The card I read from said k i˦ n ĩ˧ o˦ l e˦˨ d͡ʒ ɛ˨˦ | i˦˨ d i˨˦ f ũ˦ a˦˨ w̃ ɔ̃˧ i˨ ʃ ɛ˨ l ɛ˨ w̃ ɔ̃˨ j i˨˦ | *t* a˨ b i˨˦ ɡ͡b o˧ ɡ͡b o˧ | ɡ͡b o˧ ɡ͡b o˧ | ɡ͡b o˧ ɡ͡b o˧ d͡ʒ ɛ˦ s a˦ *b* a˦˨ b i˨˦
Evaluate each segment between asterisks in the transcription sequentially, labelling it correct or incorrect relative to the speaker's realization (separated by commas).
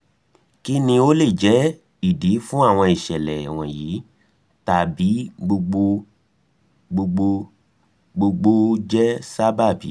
correct, correct